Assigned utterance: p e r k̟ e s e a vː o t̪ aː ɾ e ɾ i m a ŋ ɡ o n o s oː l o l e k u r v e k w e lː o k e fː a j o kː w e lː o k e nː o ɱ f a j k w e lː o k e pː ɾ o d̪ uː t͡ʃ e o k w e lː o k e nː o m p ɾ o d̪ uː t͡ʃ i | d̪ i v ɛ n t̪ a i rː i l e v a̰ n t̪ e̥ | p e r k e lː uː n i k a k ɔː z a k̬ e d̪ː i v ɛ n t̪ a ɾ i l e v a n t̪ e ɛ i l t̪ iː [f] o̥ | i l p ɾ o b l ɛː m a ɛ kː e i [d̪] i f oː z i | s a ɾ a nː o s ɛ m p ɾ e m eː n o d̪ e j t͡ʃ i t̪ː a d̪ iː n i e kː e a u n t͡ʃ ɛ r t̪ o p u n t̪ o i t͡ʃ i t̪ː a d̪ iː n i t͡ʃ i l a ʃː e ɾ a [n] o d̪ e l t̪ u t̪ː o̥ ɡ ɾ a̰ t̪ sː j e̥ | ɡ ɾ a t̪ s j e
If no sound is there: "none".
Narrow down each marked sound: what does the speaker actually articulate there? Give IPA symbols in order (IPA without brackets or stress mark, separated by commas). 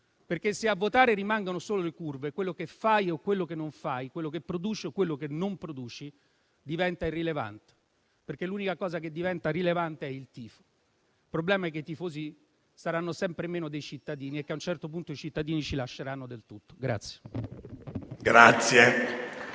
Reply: f, t̪, nː